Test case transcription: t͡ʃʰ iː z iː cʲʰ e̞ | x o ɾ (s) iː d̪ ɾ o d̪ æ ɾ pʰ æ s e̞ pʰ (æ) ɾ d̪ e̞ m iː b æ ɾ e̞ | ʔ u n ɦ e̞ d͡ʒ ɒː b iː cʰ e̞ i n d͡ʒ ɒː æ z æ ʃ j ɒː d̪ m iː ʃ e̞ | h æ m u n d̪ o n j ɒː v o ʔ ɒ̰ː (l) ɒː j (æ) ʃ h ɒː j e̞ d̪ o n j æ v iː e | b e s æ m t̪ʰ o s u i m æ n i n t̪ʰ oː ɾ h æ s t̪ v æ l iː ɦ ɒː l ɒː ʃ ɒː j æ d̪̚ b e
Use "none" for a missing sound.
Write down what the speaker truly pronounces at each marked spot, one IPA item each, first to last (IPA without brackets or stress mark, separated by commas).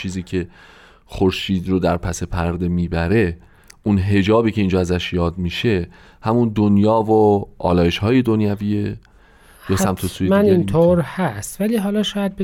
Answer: ʃ, æ, l, e